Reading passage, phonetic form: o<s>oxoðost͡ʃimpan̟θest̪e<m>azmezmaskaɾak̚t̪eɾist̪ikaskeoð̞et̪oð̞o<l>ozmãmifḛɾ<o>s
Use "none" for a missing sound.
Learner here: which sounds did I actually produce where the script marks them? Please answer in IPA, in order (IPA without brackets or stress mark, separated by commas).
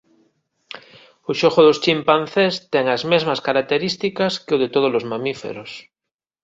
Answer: ʃ, ŋ, l, o